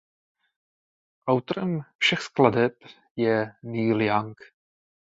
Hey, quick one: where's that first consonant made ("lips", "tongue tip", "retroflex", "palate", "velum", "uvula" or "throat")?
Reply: throat